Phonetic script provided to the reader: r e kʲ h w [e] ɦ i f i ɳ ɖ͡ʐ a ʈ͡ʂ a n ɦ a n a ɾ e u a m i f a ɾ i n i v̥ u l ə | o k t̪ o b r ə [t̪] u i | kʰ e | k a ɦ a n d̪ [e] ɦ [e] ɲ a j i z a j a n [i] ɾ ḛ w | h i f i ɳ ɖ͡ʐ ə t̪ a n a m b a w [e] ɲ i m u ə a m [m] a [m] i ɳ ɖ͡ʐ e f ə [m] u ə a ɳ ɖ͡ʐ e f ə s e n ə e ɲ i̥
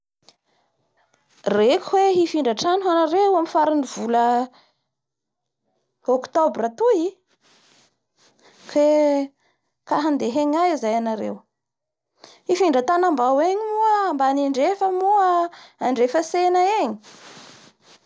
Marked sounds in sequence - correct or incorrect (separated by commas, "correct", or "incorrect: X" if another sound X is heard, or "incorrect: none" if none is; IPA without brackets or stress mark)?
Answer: correct, correct, correct, correct, incorrect: a, correct, incorrect: b, incorrect: n, correct